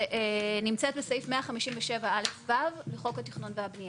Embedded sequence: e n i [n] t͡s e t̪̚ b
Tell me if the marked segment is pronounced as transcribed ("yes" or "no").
no